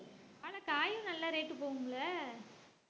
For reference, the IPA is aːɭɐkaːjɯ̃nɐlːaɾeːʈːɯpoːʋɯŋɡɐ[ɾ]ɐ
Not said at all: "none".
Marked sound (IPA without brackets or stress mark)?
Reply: ɭ